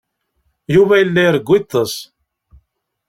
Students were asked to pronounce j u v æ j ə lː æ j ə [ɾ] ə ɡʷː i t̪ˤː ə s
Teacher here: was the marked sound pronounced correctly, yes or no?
yes